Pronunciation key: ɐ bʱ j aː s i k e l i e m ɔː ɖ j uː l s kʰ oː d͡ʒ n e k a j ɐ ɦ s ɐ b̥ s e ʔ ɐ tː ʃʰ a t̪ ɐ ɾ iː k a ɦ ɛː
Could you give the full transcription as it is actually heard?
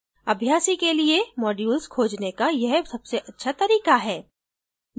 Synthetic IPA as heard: ɐ bʱ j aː s i k e l i e m ɔː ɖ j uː l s kʰ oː d͡ʒ n e k a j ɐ ɦ s ɐ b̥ s e ʔ ɐ tː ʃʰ a t̪ ɐ ɾ iː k a ɦ ɛː